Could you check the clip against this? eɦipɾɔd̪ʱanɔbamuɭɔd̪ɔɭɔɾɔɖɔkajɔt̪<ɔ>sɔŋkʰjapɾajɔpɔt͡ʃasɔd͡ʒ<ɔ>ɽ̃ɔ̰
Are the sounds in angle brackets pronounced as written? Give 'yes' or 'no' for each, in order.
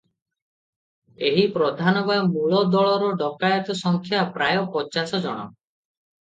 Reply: yes, yes

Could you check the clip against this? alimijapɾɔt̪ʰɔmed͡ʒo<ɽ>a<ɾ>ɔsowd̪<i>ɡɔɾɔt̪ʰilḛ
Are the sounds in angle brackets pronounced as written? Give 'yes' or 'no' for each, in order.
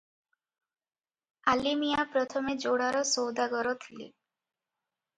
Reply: yes, yes, no

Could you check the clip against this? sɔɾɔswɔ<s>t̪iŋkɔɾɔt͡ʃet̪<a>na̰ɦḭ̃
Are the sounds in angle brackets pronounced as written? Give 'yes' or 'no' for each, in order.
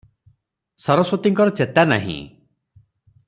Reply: no, yes

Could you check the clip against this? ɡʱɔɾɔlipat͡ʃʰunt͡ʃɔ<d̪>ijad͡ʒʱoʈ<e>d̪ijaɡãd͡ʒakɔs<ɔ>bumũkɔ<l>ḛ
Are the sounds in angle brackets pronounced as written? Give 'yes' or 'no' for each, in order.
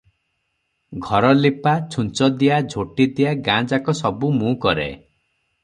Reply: yes, no, yes, no

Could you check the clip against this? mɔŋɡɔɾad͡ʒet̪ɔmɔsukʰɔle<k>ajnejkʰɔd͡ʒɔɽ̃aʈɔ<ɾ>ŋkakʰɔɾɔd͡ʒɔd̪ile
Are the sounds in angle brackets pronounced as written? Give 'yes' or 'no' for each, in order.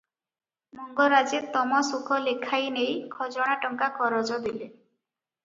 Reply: no, no

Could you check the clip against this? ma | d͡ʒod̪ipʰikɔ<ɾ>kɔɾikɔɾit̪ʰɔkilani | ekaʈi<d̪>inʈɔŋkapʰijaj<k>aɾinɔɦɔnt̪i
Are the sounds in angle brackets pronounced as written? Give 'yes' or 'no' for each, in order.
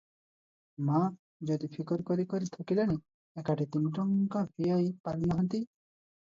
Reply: yes, no, no

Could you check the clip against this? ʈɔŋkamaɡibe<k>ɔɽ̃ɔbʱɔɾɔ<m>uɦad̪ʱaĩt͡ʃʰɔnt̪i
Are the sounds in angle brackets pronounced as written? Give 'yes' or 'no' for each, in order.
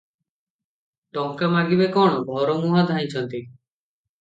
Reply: yes, yes

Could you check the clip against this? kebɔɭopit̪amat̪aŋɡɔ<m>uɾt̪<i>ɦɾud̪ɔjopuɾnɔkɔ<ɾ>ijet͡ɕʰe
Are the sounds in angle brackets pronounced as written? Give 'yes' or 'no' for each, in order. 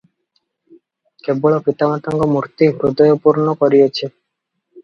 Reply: yes, yes, yes

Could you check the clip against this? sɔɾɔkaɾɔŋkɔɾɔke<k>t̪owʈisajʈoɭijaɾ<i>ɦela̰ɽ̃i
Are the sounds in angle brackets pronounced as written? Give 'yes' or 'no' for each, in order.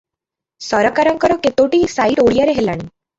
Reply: no, no

